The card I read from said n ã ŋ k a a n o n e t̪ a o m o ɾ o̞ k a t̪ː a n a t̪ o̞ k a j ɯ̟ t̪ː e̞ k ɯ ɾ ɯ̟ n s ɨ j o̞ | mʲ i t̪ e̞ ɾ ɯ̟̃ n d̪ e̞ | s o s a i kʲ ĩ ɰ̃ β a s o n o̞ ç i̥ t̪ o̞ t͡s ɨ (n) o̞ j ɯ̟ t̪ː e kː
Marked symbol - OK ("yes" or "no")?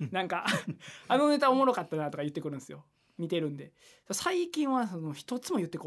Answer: no